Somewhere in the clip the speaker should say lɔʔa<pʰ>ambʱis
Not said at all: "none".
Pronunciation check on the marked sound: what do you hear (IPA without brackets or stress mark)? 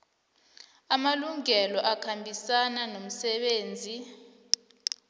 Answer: kʰ